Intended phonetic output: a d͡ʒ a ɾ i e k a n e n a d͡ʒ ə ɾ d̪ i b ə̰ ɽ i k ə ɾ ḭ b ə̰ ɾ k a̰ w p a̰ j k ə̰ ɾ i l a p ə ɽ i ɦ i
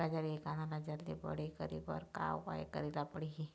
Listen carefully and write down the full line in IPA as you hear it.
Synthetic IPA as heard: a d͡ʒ a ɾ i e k a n a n a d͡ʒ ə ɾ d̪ i b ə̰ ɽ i k ə ɾ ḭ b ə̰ ɾ k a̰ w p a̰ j k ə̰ ɾ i l a p ə ɽ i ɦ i